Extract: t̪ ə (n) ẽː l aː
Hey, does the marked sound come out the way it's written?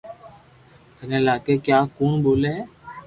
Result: yes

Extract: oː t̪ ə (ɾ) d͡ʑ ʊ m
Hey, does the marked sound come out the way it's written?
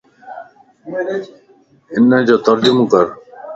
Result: yes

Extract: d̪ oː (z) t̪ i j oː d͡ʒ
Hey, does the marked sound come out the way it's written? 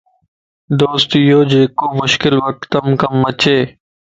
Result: no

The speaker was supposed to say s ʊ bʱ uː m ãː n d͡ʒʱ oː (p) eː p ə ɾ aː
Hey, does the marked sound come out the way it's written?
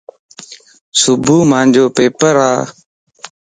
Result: yes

